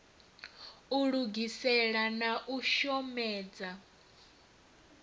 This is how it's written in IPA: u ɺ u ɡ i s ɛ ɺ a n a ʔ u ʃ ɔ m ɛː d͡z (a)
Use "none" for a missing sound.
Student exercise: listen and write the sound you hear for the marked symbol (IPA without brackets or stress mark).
a